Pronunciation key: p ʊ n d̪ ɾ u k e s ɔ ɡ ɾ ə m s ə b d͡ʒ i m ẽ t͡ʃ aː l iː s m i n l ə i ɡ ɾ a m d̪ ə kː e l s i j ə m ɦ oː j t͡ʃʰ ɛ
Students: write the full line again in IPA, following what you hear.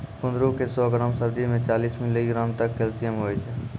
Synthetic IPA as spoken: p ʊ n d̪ ɾ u k e s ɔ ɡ ɾ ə m s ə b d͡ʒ i m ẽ t͡ʃ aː l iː s m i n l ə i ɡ ɾ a m t̪ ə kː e l s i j ə m ɦ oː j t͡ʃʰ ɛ